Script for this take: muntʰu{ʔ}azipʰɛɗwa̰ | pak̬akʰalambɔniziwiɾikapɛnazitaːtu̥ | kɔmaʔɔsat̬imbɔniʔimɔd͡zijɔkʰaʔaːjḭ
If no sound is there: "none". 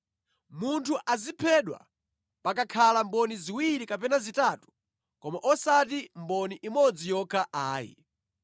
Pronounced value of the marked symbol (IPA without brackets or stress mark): ʔ